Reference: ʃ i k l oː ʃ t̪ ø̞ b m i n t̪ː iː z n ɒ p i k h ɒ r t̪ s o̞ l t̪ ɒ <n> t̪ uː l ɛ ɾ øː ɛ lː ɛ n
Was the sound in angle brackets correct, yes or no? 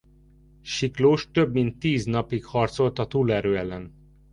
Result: no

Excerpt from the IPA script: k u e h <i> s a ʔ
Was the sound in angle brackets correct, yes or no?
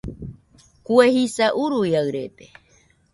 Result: yes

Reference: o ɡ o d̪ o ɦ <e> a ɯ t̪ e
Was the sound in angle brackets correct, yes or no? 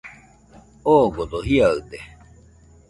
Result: no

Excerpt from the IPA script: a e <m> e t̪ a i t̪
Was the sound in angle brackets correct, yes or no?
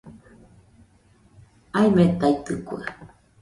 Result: yes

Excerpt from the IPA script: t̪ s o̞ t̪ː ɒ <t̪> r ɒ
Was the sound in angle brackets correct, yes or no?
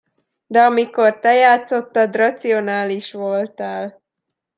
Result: no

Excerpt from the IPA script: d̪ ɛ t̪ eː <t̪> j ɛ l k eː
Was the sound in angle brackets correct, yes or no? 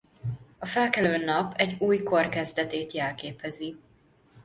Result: yes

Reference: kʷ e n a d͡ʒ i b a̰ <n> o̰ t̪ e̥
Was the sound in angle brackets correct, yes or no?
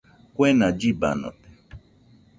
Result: yes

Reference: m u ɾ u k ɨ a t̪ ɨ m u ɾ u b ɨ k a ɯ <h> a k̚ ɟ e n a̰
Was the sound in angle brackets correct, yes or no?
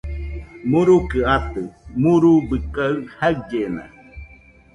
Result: yes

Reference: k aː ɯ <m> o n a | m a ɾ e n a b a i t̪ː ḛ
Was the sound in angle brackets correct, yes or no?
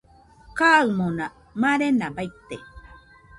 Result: yes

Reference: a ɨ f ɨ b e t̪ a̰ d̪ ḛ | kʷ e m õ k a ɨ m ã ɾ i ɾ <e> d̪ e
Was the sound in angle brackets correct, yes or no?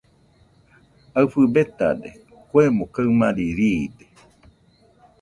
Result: no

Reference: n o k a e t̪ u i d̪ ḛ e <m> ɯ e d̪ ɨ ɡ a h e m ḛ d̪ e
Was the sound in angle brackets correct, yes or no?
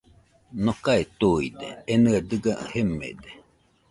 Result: no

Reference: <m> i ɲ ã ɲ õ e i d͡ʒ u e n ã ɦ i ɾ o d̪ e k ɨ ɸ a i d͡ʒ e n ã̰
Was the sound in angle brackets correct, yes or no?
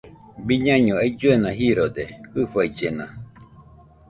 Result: no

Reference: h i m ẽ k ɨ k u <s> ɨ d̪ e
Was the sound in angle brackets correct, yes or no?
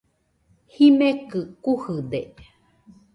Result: no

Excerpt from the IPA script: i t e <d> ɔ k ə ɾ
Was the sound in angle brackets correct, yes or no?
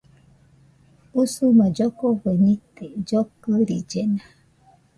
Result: no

